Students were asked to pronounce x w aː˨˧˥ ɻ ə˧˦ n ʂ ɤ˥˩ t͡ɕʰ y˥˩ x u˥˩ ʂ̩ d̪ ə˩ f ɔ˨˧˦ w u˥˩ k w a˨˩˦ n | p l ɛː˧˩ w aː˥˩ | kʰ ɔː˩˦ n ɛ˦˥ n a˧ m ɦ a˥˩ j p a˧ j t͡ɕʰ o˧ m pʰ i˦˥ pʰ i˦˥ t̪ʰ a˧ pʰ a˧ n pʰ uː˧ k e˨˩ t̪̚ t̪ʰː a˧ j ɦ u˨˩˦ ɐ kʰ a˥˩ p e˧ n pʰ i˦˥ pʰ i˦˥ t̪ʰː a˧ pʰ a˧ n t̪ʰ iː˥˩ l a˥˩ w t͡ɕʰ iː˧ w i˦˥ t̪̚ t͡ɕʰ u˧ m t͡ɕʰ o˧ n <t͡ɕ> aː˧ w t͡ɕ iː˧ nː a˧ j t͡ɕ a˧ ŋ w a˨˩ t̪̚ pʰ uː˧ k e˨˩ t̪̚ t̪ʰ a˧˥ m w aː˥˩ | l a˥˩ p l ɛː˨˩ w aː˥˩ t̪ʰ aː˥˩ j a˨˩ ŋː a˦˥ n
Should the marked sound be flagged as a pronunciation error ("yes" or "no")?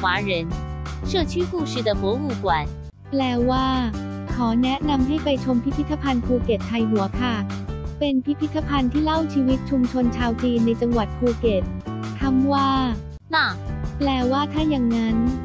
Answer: yes